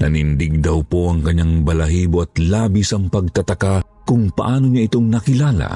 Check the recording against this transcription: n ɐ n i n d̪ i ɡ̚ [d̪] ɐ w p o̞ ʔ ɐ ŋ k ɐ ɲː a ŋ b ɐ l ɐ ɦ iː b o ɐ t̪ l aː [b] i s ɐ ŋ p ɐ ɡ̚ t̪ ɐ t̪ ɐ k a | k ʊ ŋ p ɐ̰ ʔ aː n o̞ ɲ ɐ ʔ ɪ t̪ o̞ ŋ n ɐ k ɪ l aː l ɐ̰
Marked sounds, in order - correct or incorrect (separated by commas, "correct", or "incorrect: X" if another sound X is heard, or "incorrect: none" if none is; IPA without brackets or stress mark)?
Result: correct, correct